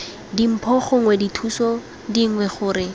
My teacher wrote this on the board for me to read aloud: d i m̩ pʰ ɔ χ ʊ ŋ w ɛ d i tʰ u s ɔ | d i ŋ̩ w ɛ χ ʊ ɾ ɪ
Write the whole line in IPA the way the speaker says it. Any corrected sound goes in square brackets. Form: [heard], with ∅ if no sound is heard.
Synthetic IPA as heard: d i m̩ pʰ ɔ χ ʊ ŋ w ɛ d i tʰ u s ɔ | d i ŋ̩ w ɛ χ [ʊː] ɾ ɪ

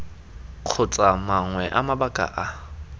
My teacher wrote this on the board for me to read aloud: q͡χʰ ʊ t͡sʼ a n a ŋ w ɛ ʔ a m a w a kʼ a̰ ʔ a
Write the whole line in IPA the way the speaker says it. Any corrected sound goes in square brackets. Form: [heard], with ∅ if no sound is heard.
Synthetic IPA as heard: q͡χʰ ʊ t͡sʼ a [m] a ŋ w ɛ ʔ a m a [b] a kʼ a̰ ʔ a

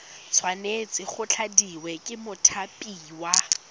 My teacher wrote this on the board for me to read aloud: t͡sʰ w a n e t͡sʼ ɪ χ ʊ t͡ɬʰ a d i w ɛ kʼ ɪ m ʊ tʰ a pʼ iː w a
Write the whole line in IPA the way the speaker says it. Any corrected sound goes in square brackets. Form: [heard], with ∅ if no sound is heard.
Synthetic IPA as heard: t͡sʰ w a n e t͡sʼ ɪ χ ʊ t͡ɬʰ a d i w ɛ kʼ ɪ m ʊ tʰ a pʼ iː w a

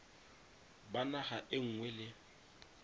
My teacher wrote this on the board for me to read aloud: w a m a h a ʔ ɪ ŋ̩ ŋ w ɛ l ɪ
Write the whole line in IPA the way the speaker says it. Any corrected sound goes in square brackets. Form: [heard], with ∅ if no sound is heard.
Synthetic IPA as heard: [b] a [n] a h a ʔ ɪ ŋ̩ ŋ w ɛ l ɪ

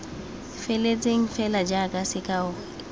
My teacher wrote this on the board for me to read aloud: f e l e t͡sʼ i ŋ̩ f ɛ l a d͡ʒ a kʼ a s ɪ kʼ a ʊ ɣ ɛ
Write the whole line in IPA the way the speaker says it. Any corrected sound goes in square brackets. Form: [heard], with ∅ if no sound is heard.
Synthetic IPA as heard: f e l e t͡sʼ [e] ŋ̩ f ɛ l a d͡ʒ a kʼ a s ɪ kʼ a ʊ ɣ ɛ

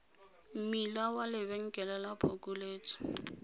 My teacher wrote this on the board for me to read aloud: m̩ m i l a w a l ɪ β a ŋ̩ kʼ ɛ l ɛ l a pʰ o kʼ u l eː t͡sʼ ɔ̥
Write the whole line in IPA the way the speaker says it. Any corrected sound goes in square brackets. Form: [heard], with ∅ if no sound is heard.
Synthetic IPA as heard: m̩ m i l a w a l ɪ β [ɛ] ŋ̩ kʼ ɛ l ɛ l a pʰ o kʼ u l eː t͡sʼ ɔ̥

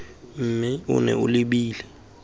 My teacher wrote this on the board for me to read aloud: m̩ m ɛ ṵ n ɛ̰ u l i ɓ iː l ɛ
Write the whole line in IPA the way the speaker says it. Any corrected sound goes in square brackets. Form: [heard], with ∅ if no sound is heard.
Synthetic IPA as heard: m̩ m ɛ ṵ n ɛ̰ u l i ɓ iː l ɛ

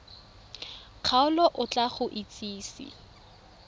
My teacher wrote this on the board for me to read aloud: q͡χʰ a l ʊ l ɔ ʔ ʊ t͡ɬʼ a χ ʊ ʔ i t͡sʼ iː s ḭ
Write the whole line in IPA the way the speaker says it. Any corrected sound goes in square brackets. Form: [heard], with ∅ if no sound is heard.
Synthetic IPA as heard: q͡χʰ a [∅] ʊ l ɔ ʔ ʊ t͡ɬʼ a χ ʊ ʔ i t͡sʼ iː s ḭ

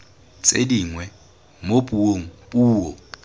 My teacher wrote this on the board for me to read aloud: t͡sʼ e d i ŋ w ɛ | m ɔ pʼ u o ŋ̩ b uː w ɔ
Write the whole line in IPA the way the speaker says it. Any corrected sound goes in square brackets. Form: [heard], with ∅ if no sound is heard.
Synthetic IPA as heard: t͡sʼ e d i ŋ w ɛ | m [o] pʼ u o ŋ̩ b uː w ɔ

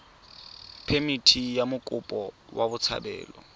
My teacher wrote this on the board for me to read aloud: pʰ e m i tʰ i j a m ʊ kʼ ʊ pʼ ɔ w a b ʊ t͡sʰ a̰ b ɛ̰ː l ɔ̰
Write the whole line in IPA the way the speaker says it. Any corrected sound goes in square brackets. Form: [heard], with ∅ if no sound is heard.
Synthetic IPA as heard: pʰ e m i tʰ i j a m ʊ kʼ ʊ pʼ ɔ w a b ʊ t͡sʰ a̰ b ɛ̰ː l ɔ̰

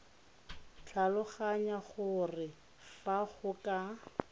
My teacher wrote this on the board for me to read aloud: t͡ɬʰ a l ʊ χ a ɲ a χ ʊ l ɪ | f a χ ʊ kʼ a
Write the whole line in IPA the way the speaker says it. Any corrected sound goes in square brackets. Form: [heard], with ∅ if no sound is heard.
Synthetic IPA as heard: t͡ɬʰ a l ʊ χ a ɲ a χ ʊ [r] ɪ | f a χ ʊ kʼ a

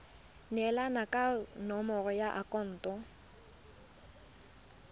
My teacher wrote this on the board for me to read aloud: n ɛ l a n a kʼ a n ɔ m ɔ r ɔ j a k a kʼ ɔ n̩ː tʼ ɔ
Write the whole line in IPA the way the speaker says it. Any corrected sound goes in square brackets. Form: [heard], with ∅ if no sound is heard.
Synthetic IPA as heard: n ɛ l a n a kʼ a n ɔ m ɔ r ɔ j a [ʔ] a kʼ ɔ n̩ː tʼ ɔ

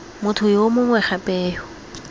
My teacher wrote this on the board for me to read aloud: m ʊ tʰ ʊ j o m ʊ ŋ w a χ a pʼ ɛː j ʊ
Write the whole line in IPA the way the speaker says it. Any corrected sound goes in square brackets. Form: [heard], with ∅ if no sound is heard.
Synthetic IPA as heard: m ʊ tʰ ʊ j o m ʊ ŋ w [ɛ] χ a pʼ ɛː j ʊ

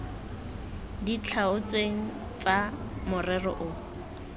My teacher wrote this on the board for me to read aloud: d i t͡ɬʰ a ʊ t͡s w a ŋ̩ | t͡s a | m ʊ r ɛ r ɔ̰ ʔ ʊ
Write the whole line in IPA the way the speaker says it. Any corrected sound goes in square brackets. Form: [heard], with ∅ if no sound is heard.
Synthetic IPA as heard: d i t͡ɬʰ a ʊ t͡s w [e] ŋ̩ | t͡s a | m ʊ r ɛ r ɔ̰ ʔ ʊ

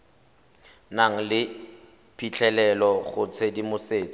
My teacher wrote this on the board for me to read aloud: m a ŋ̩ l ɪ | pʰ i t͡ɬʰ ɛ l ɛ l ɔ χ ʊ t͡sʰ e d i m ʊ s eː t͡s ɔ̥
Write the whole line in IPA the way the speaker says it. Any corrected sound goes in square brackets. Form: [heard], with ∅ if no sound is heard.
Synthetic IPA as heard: [n] a ŋ̩ l ɪ | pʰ i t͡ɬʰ ɛ l ɛ l ɔ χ ʊ t͡sʰ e d i m ʊ s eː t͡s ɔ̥

